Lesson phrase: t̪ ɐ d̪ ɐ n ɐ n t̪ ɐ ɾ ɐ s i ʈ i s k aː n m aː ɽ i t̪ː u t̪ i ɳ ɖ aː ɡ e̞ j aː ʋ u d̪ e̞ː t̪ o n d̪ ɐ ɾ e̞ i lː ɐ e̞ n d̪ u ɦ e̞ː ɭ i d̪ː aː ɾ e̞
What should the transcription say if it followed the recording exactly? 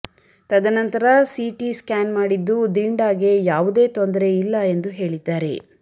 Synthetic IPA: t̪ ɐ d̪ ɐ n ɐ n t̪ ɐ ɾ ɐ s i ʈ i s k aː n m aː ɽ i d̪ː u d̪ i ɳ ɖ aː ɡ e̞ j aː ʋ u d̪ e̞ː t̪ o n d̪ ɐ ɾ e̞ i lː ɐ e̞ n d̪ u ɦ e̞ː ɭ i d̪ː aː ɾ e̞